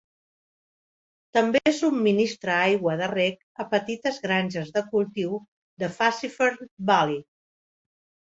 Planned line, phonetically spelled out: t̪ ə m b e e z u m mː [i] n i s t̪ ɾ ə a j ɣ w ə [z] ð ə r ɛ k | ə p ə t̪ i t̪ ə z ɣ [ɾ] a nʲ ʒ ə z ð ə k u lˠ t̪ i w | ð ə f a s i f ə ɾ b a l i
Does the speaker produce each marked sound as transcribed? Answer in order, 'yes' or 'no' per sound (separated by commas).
yes, no, yes